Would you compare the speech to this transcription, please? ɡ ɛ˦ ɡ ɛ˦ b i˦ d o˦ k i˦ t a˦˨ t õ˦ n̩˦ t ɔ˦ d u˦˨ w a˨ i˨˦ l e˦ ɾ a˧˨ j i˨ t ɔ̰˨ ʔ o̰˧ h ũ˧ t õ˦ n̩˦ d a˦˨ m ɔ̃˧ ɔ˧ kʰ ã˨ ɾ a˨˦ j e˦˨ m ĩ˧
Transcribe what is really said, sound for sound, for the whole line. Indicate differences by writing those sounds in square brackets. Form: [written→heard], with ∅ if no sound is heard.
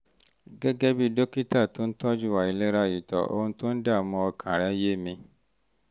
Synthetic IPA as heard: ɡ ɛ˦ ɡ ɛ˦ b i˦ d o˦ k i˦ t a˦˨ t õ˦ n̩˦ t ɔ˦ [d→d͡ʒ] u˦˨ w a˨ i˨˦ l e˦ ɾ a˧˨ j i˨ t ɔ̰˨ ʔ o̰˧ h ũ˧ t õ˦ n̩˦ d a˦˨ m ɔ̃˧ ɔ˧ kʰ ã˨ ɾ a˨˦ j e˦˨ m ĩ˧

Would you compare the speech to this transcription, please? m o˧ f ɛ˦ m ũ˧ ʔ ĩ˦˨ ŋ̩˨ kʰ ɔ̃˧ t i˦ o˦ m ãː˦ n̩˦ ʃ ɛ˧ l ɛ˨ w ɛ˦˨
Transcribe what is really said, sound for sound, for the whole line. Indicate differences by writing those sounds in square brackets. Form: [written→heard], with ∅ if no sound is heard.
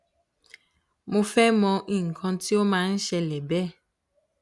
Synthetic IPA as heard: m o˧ f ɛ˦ m [ũ˧→ɔ̃˧] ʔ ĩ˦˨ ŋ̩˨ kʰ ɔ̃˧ t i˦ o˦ m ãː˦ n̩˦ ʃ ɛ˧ l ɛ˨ [w→b] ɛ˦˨

